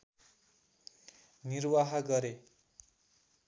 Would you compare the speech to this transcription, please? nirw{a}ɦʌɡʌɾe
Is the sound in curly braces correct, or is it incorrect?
correct